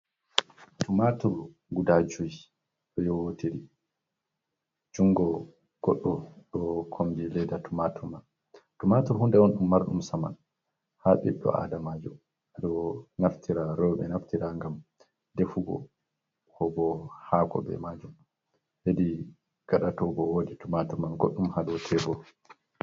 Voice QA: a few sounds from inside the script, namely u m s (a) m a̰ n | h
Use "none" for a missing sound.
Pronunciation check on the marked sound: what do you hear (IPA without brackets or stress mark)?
a